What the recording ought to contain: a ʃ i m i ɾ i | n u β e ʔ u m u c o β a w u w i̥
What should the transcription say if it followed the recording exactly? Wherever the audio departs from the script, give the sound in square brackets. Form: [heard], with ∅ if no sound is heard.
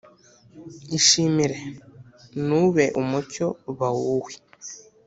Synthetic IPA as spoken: [i] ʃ i m i ɾ [e] | n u β e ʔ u m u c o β a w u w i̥